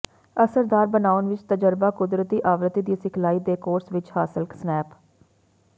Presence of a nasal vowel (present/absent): absent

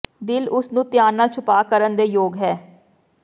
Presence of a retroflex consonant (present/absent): absent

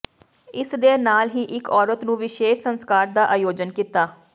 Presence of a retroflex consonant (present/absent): absent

